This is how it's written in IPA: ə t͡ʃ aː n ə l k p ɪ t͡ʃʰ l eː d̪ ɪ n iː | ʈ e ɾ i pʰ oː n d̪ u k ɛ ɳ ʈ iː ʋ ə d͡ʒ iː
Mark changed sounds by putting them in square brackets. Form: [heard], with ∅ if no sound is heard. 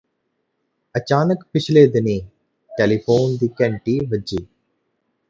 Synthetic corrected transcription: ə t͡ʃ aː n ə [∅] k p ɪ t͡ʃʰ l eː d̪ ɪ n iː | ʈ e [l] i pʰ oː n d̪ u k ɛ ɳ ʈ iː ʋ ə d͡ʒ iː